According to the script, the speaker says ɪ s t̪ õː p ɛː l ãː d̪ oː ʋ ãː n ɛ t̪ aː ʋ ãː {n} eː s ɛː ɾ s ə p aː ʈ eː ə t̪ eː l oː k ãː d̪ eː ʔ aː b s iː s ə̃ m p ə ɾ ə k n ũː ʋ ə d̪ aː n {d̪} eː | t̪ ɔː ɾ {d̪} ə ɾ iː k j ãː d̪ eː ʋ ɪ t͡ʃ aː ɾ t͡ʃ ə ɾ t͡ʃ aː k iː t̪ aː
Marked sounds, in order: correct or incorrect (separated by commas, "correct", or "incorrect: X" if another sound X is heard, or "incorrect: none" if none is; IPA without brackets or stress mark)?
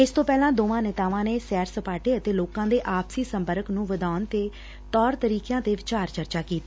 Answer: correct, incorrect: t̪, incorrect: t̪